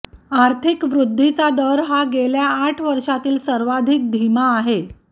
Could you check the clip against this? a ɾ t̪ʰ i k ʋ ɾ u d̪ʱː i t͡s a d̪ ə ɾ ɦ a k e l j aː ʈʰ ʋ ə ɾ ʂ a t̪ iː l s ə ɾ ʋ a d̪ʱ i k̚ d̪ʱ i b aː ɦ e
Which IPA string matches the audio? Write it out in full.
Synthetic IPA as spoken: a ɾ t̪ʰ i k ʋ ɾ u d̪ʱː i t͡s a d̪ ə ɾ ɦ a ɡ e l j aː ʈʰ ʋ ə ɾ ʂ a t̪ iː l s ə ɾ ʋ a d̪ʱ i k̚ d̪ʱ i m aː ɦ e